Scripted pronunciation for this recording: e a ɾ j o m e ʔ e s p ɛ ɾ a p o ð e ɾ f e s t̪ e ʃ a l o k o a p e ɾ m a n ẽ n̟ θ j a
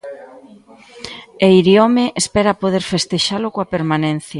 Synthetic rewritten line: e i ɾ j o m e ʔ e s p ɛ ɾ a p o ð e ɾ f e s t̪ e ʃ a l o k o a p e ɾ m a n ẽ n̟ θ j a